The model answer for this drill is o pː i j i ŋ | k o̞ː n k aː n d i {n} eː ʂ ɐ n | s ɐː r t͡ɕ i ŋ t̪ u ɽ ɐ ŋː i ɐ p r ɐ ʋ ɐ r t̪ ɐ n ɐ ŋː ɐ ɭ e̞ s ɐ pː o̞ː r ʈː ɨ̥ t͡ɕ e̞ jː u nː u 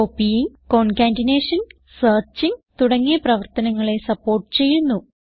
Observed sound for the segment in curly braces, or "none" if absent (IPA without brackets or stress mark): n